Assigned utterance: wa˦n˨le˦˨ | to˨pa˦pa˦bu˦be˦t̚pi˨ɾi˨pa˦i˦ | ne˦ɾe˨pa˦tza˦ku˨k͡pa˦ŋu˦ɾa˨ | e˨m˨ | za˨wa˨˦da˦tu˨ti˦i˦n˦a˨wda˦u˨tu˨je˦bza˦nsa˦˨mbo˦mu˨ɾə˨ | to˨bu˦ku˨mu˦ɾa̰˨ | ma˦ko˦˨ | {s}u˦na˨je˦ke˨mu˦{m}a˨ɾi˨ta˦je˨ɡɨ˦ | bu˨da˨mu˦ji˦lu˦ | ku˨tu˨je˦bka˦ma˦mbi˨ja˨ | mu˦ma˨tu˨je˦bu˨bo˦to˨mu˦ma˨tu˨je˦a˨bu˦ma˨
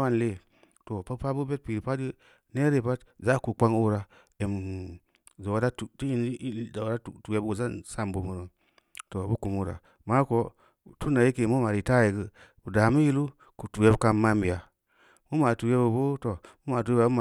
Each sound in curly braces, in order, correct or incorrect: incorrect, correct

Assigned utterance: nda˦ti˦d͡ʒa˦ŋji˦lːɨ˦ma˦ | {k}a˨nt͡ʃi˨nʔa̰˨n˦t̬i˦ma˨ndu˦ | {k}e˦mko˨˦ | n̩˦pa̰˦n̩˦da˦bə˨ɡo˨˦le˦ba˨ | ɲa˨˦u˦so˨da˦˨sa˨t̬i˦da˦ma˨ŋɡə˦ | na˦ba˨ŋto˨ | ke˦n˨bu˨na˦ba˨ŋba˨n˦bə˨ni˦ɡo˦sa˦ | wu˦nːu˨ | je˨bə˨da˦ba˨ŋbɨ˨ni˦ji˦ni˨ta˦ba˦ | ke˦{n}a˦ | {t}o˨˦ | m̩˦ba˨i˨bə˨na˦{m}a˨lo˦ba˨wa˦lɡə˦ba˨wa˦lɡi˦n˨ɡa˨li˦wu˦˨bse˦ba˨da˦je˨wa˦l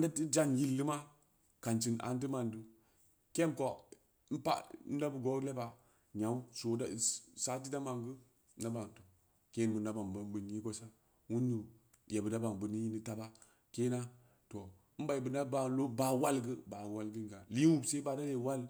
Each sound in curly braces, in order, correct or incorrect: correct, correct, correct, correct, incorrect

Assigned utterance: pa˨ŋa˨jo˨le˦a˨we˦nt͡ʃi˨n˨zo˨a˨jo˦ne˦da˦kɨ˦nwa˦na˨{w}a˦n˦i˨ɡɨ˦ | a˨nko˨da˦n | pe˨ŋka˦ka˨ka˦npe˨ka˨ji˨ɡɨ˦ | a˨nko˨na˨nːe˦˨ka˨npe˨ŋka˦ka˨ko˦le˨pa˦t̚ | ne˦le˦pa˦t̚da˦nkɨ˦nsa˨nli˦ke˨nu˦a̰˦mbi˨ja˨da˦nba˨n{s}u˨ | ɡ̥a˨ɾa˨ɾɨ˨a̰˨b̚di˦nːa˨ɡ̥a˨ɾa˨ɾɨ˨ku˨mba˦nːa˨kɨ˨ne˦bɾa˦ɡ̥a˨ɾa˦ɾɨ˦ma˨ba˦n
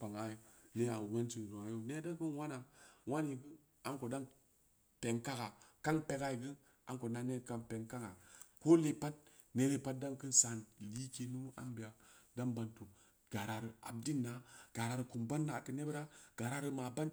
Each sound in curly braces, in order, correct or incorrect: correct, incorrect

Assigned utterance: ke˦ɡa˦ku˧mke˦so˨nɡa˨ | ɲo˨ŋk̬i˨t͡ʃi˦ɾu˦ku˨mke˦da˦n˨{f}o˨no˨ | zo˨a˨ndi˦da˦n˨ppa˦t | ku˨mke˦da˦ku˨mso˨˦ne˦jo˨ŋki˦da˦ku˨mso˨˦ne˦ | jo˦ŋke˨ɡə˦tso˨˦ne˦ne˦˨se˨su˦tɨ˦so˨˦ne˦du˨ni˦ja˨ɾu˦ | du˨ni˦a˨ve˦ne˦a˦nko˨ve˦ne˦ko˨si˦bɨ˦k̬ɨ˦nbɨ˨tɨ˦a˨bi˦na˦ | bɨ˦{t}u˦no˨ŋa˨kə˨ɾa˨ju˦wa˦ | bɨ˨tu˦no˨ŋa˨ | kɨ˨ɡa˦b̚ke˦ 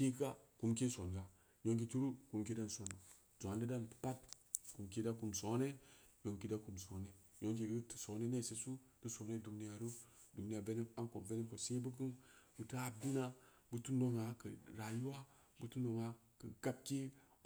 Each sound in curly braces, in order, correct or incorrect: incorrect, correct

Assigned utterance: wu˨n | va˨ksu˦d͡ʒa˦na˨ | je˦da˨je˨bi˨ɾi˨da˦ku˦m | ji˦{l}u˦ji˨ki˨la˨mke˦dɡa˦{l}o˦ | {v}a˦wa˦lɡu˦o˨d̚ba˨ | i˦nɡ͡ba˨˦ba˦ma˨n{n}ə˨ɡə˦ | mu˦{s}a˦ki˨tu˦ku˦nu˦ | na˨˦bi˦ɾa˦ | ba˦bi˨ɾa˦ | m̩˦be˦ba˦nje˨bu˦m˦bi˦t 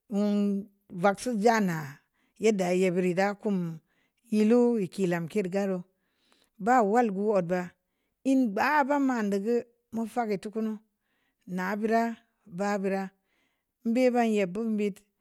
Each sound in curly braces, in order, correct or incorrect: correct, incorrect, incorrect, incorrect, incorrect

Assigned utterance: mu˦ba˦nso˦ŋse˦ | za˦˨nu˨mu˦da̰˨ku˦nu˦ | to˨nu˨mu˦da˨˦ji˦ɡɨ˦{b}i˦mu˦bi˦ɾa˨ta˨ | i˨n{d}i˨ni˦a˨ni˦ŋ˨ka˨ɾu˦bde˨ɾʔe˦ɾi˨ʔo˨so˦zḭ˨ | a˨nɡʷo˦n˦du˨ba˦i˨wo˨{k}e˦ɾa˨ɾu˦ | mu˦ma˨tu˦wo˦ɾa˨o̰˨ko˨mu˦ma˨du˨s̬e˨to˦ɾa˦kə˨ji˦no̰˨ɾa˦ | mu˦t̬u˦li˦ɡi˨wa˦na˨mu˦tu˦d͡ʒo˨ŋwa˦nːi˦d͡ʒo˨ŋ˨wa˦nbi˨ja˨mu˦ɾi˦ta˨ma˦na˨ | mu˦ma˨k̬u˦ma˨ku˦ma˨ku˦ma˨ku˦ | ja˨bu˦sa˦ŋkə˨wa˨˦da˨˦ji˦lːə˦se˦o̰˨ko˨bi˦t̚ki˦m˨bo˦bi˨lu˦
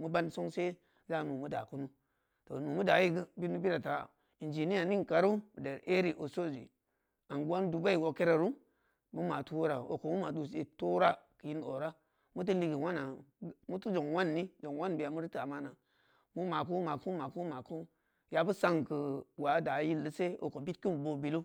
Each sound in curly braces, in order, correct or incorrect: correct, incorrect, correct

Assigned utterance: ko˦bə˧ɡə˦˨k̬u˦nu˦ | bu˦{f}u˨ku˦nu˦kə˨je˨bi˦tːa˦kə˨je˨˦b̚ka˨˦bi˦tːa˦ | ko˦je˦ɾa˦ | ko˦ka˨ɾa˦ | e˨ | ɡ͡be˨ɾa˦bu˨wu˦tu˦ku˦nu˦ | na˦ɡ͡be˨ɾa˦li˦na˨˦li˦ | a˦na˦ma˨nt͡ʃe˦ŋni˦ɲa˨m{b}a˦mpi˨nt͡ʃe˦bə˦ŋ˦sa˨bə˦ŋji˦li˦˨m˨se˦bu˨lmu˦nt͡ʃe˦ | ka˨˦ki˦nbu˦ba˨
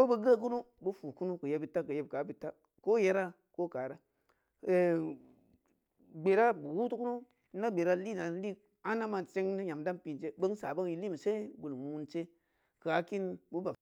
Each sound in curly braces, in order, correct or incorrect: correct, incorrect

